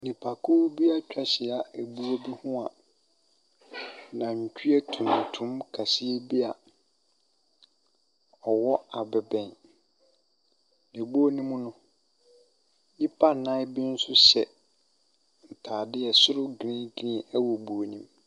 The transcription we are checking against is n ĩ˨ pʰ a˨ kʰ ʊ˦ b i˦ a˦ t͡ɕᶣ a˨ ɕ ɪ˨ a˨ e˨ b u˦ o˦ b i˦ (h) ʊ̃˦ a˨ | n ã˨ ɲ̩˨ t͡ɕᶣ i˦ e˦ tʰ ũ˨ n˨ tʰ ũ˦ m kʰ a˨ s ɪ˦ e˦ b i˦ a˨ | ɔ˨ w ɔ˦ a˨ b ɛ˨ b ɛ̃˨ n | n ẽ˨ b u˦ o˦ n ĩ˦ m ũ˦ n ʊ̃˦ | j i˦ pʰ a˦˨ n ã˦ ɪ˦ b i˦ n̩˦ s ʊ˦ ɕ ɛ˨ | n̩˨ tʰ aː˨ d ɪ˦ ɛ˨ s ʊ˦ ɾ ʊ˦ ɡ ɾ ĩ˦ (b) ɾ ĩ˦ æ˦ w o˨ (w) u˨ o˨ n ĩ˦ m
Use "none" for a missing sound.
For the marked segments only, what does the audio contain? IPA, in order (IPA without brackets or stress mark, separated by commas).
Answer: h, ɡ, b